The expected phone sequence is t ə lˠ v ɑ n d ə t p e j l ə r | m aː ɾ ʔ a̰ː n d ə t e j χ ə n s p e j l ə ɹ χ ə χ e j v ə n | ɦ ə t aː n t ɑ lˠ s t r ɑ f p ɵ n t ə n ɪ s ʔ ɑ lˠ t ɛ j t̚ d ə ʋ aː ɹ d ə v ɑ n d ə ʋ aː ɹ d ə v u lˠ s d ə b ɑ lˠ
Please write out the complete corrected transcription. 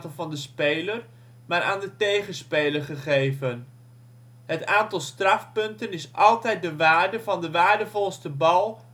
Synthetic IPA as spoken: t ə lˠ v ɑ n d ə s p e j l ə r | m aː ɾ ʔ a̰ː n d ə t e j χ ə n s p e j l ə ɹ χ ə χ e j v ə n | ɦ ə t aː n t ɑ lˠ s t r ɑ f p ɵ n t ə n ɪ s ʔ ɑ lˠ t ɛ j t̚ d ə ʋ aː ɹ d ə v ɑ n d ə ʋ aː ɹ d ə v ɔ lˠ s t ə b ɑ lˠ